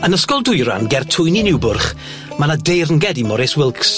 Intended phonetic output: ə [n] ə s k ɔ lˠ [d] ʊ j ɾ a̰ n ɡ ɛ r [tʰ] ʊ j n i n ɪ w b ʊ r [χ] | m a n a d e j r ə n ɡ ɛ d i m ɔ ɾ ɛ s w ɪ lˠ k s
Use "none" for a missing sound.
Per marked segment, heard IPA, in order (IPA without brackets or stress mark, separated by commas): n, d, tʰ, χ